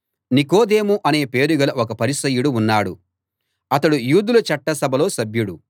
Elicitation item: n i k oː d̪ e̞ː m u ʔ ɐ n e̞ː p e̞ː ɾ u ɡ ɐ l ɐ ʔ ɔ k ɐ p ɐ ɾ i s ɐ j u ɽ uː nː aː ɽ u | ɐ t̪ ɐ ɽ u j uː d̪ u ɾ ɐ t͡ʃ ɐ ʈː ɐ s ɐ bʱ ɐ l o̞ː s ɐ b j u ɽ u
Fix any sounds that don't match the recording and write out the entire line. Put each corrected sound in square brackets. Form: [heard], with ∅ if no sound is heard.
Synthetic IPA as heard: n i k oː d̪ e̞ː m u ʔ ɐ n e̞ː p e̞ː ɾ u ɡ ɐ l ɐ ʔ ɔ k ɐ p ɐ ɾ i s ɐ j u ɽ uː nː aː ɽ u | ɐ t̪ ɐ ɽ u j uː d̪ u [l] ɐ t͡ʃ ɐ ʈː ɐ s ɐ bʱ ɐ l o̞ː s ɐ b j u ɽ u